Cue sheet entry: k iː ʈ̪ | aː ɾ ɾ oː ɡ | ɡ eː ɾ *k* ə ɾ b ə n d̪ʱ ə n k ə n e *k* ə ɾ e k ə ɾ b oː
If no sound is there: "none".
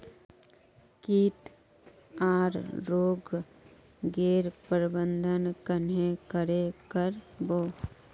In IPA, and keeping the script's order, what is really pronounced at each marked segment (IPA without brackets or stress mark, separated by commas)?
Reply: p, k